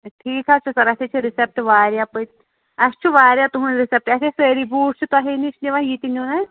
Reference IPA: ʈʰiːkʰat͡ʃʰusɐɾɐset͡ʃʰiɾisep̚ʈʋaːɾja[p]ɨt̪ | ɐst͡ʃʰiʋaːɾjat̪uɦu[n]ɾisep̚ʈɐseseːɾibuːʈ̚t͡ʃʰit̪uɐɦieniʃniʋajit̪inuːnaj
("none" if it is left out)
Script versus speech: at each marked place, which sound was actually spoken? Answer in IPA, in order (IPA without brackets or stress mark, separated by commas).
p, n